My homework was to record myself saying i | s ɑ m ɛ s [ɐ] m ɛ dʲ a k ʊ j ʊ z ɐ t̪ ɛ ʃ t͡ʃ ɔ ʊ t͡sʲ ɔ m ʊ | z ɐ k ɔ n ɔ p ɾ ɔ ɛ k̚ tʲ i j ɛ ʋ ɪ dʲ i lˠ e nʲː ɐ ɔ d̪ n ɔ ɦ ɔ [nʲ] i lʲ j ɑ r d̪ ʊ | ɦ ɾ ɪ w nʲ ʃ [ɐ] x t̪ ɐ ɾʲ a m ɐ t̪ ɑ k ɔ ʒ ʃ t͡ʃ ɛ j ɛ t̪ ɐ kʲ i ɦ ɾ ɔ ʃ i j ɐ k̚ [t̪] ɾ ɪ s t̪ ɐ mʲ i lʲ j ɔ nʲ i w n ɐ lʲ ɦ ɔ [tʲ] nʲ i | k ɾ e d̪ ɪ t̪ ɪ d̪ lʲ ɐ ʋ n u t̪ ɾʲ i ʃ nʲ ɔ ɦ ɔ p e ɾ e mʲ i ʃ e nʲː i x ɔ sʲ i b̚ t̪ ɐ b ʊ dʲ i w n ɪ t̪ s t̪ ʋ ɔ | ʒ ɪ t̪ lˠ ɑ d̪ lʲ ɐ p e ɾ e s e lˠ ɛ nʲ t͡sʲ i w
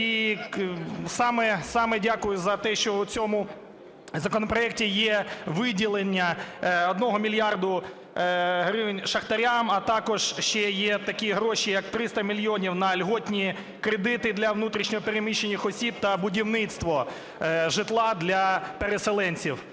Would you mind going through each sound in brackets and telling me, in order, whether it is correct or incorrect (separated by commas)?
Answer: incorrect, incorrect, correct, correct, correct